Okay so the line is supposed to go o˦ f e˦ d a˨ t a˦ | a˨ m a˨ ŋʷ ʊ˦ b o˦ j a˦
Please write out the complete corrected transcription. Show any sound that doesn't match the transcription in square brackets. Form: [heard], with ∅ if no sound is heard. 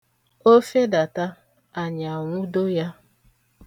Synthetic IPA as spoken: o˦ f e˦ d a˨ t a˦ | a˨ [ɲ] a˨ ŋʷ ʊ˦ [d] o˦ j a˦